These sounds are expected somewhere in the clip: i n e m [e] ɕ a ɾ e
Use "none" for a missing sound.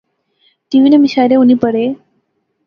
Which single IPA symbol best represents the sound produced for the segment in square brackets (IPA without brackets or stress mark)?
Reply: i